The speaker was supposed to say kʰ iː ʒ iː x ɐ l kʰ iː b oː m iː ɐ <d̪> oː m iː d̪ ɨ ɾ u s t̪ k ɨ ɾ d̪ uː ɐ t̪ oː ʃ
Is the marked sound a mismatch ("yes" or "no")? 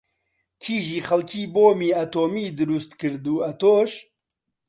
yes